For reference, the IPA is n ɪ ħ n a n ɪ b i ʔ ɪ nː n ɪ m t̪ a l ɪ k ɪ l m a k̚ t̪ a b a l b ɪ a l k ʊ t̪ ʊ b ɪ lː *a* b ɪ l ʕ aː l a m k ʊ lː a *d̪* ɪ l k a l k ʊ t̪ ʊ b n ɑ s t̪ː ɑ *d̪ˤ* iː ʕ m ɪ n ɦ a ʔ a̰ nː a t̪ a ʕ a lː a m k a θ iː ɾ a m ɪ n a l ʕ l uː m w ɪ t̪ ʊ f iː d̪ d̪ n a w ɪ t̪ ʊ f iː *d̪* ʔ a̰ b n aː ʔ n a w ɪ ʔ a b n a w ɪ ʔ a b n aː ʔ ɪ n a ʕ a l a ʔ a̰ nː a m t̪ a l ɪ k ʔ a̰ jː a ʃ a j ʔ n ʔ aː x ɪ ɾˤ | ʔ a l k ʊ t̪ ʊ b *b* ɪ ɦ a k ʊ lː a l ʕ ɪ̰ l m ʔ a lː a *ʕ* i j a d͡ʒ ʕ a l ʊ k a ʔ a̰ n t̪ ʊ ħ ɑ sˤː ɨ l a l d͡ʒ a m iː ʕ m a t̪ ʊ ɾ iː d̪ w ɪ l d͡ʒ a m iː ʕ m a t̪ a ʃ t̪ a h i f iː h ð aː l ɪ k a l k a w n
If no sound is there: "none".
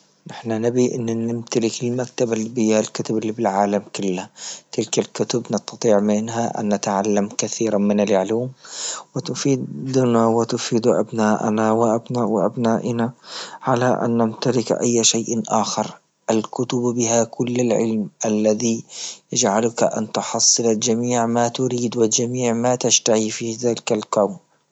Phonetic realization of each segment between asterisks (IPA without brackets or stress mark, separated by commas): i, t̪, t̪ˤ, d̪, b, ð